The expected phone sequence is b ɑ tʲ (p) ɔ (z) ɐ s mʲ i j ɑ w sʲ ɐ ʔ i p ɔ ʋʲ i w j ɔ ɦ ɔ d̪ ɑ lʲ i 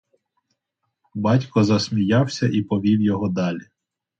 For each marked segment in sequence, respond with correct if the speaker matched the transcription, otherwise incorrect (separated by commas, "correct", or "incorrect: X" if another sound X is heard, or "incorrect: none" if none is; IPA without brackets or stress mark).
incorrect: k, correct